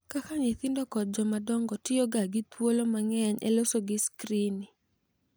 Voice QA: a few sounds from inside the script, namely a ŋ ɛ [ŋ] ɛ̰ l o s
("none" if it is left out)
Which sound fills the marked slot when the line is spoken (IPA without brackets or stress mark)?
ɲ